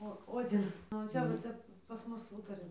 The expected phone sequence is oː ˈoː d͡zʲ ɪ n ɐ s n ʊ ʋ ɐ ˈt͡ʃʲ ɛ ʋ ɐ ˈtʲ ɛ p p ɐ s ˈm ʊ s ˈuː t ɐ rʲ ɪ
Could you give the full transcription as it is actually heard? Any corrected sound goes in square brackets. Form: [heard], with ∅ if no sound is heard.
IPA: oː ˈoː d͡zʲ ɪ n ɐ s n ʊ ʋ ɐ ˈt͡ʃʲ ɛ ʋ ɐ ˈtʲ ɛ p p ɐ s ˈm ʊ s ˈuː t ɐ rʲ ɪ